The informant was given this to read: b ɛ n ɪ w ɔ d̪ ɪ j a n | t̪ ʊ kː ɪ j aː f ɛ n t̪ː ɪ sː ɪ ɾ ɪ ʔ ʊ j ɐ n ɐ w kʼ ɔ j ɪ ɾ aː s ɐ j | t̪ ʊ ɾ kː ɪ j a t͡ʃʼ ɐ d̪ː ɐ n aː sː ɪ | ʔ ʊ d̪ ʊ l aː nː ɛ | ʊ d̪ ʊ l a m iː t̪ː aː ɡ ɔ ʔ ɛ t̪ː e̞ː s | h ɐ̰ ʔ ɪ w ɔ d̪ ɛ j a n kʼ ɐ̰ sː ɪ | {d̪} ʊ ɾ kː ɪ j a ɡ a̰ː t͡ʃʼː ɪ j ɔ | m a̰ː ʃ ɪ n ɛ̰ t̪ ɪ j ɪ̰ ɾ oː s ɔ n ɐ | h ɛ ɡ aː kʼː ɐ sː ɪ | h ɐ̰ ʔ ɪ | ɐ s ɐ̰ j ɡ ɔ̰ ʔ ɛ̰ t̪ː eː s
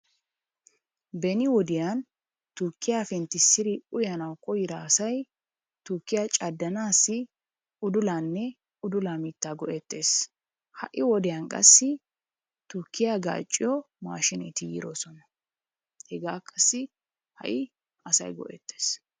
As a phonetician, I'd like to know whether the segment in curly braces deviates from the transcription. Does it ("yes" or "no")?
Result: yes